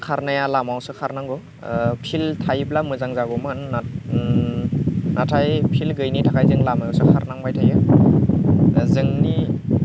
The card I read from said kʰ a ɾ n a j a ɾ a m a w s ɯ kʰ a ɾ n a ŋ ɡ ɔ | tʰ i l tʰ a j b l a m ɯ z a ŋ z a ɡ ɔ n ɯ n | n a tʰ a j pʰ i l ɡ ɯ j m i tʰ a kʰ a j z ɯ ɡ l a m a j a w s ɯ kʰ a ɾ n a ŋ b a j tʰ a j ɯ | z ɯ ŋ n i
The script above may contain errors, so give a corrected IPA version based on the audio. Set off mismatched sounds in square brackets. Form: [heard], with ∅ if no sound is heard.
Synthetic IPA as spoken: kʰ a ɾ n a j a [l] a m a w s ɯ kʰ a ɾ n a ŋ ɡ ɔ | [pʰ] i l tʰ a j b l a m ɯ z a ŋ z a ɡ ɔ [m] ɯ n | n a tʰ a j pʰ i l ɡ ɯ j [n] i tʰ a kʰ a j z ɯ [ŋ] l a m a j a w s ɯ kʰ a ɾ n a ŋ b a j tʰ a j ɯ | z ɯ ŋ n i